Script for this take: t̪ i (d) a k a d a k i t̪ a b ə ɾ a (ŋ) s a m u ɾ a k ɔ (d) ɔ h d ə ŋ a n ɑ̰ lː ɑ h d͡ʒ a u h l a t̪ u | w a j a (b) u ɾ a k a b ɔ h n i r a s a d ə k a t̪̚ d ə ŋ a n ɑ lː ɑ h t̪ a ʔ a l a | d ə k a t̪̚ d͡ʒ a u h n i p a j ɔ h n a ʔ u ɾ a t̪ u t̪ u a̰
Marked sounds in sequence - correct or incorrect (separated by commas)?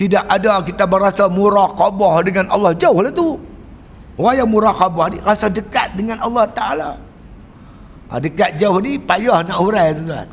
correct, incorrect, incorrect, incorrect